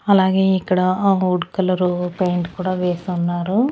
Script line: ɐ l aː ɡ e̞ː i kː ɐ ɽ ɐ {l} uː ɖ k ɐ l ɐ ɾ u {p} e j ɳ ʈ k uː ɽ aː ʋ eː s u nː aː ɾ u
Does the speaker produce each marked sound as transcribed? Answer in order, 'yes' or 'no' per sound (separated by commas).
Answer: no, yes